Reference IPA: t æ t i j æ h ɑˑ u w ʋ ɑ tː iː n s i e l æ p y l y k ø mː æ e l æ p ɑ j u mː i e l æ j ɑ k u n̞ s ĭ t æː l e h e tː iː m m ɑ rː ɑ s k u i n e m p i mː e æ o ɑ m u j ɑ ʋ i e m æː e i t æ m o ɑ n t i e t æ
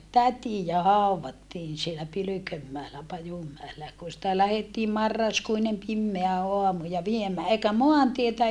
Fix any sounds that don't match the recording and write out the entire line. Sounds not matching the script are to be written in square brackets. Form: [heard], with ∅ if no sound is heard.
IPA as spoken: t æ t i j æ h ɑˑ u w ʋ ɑ tː iː n s i e l æ p y l y k ø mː æ e l æ p ɑ j u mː [æ] e l æ j ɑ k u n̞ s ĭ t [æ] l [æ] h e tː iː m m ɑ rː ɑ s k u i n e m p i mː e æ o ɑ m u j ɑ ʋ i e m æː e i [k] æ m o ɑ n t i e t æ